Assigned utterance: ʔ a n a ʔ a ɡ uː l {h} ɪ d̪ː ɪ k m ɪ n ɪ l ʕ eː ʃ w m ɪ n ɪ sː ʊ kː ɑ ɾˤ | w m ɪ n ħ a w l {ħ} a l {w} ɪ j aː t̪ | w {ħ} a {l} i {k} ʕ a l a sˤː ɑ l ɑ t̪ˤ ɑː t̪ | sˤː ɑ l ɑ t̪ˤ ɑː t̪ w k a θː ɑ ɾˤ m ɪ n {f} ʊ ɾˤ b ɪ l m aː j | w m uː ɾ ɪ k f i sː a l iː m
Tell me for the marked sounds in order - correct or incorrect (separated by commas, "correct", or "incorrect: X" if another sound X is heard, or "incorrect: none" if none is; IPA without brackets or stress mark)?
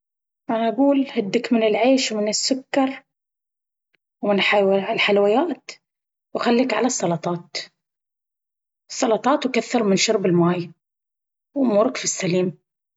correct, correct, correct, incorrect: x, incorrect: lː, correct, incorrect: ʃ